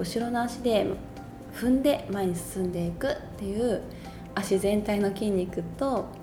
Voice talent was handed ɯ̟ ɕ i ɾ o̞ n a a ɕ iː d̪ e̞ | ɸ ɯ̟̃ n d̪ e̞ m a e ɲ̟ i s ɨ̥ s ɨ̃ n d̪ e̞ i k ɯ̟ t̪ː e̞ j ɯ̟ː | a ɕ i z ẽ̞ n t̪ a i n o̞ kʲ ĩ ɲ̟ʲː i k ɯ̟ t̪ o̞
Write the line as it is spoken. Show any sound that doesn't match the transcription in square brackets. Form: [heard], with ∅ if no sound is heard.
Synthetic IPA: ɯ̟ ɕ i ɾ o̞ n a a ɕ [i] d̪ e̞ | ɸ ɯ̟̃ n d̪ e̞ m a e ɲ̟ i s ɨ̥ s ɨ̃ n d̪ e̞ i k ɯ̟ t̪ː e̞ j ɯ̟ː | a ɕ i z ẽ̞ n t̪ a i n o̞ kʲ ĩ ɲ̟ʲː i k ɯ̟ t̪ o̞